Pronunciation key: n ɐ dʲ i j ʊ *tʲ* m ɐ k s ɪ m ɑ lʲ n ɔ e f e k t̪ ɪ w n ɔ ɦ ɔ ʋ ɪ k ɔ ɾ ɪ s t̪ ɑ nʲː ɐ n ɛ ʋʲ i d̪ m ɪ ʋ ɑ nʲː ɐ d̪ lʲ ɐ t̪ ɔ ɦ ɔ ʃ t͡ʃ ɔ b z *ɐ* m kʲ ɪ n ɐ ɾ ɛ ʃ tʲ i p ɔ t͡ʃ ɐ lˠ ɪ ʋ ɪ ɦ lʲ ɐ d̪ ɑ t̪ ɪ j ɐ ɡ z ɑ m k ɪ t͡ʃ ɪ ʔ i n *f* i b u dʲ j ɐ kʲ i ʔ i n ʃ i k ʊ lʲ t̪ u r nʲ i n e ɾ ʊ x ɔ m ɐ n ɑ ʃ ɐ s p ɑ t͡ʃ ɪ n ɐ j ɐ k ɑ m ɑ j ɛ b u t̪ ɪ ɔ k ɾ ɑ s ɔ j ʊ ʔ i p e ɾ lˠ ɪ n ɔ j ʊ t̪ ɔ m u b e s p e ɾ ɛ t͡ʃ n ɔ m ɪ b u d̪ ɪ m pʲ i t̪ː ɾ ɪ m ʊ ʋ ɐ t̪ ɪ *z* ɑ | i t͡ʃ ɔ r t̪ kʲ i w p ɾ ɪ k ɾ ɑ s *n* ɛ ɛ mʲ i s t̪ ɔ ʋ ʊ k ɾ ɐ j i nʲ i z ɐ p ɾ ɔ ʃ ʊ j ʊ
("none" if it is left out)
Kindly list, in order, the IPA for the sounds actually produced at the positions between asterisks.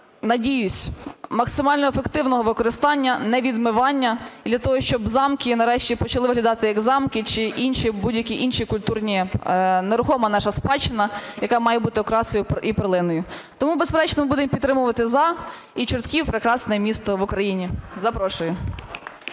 sʲ, ɑ, ʃ, z, n

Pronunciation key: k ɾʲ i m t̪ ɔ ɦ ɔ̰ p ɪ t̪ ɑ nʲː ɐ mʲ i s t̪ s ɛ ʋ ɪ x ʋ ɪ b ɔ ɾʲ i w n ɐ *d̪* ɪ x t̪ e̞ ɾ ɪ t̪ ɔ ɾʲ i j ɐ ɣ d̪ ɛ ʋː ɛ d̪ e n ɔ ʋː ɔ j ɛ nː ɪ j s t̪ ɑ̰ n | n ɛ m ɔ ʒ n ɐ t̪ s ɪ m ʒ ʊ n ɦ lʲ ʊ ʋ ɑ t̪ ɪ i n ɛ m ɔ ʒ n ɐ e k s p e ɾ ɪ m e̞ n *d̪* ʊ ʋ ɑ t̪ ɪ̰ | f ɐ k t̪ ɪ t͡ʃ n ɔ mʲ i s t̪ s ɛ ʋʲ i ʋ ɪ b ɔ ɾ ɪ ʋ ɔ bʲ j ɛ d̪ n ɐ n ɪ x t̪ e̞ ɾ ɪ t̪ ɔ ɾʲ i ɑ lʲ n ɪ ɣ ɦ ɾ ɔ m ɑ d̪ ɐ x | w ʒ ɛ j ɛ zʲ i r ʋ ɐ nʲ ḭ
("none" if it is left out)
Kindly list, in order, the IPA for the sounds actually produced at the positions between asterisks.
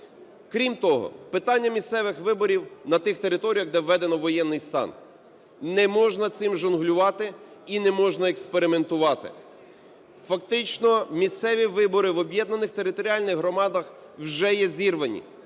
t̪, t̪

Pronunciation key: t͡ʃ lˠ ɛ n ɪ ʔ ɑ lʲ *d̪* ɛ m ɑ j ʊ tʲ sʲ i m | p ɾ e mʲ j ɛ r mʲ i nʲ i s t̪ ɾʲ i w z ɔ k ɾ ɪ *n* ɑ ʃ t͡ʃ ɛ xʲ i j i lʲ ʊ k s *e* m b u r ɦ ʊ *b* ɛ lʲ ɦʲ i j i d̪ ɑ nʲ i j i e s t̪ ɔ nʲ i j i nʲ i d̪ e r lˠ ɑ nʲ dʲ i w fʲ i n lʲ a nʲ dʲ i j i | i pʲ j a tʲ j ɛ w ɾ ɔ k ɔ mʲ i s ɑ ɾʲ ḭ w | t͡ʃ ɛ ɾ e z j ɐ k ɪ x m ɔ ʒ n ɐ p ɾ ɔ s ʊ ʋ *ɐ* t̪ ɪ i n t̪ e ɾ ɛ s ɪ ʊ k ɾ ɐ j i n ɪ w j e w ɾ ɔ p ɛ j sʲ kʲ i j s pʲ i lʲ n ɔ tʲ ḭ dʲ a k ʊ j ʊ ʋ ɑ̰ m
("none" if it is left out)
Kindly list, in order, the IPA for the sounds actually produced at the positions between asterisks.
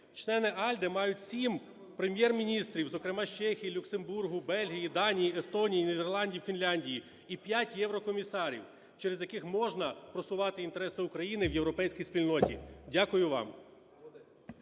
d̪, m, e, b, ɑ

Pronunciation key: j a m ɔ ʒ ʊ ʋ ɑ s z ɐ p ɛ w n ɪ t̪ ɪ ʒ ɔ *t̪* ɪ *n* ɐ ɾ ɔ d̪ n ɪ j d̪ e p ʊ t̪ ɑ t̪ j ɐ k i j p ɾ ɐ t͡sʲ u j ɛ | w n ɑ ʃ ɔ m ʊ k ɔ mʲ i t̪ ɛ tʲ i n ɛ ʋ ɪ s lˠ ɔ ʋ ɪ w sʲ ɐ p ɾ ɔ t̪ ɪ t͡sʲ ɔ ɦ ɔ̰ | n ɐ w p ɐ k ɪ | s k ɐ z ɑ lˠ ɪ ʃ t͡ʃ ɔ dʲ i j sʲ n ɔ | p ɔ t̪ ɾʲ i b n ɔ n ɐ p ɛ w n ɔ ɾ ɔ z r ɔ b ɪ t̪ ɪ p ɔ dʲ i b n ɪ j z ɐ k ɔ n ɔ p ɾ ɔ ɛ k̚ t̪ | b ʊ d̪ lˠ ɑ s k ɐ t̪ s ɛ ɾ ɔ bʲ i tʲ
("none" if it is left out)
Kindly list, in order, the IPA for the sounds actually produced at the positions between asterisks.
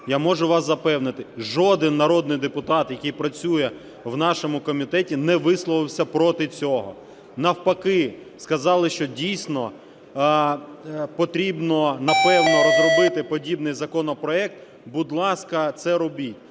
d̪, nː

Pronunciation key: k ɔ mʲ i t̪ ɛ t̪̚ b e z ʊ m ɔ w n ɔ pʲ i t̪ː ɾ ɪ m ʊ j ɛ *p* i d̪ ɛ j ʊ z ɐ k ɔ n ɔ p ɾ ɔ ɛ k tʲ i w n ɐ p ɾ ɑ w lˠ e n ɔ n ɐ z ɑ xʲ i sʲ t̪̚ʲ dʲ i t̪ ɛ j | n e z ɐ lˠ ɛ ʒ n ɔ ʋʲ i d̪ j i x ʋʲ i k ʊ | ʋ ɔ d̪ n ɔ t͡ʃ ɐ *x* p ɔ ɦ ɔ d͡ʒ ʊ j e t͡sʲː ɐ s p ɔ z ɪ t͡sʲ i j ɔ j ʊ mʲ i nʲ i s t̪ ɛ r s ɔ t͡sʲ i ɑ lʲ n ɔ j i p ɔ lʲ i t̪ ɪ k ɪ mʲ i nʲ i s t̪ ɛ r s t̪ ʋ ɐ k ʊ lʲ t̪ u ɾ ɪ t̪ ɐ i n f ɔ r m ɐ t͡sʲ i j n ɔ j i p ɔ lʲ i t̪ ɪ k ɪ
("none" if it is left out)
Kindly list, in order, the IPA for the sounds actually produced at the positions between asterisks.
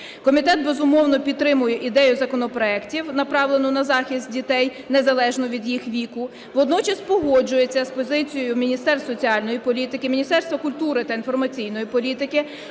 ʔ, s

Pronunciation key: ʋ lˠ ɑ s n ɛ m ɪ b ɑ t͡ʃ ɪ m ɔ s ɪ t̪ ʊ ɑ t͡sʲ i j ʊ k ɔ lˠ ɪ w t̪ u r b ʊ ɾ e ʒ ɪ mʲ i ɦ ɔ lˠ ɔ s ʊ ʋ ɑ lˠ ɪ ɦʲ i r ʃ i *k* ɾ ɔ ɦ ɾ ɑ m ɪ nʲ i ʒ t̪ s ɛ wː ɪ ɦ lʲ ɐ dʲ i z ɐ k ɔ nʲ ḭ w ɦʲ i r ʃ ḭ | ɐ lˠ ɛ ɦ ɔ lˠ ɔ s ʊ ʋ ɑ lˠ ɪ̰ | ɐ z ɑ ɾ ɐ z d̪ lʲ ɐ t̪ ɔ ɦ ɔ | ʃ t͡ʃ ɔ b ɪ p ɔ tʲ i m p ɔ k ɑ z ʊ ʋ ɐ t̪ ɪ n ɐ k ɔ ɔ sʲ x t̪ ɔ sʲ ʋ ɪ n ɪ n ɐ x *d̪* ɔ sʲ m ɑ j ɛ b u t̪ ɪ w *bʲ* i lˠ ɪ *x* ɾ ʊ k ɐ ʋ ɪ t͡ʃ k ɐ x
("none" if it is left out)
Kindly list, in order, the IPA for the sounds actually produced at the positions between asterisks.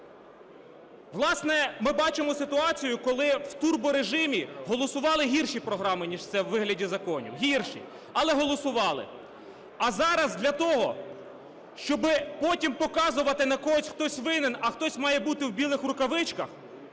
p, t̪, bʲ, x

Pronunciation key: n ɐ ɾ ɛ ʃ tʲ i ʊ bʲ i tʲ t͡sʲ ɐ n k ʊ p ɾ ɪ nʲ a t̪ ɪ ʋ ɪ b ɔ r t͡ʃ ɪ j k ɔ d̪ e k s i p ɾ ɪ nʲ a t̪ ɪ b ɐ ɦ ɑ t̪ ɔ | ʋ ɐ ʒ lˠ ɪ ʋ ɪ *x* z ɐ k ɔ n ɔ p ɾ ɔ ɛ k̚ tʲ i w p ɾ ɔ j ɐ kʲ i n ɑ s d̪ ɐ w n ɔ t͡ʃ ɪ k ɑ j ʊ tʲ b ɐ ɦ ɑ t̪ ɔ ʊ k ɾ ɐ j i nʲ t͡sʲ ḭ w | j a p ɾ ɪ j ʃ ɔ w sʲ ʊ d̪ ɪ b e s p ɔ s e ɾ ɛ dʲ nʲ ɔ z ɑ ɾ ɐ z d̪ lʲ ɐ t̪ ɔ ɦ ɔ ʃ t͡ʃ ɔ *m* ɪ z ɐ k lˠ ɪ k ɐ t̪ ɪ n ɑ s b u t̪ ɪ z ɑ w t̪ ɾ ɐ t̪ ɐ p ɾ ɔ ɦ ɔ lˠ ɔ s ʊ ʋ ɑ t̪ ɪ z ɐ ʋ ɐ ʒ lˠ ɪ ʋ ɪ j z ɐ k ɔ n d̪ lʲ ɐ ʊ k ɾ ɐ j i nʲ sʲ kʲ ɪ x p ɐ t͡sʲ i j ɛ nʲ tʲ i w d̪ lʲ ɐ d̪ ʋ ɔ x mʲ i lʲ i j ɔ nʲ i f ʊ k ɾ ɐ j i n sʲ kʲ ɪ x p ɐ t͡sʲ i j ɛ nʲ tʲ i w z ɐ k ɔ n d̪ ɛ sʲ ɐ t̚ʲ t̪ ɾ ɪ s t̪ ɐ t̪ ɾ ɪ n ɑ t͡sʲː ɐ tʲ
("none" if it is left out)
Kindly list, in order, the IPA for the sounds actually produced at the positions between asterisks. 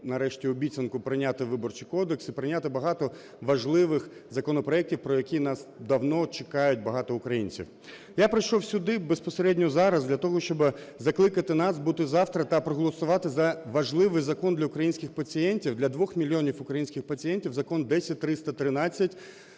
x, b

